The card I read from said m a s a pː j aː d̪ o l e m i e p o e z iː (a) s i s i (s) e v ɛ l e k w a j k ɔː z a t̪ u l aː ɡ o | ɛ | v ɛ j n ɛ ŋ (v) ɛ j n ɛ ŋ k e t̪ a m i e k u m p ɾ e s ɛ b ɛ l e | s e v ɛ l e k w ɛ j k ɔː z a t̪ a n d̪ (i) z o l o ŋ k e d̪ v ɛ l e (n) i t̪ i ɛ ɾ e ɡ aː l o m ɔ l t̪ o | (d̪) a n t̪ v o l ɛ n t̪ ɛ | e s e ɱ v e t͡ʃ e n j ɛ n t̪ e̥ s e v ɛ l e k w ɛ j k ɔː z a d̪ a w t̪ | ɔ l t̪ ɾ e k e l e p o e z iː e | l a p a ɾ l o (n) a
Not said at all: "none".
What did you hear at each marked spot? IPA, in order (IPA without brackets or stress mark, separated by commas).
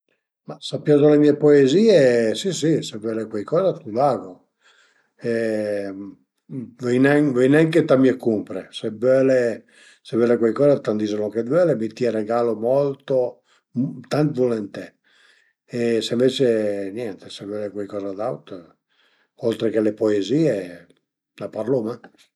e, s, v, i, m, t̪, m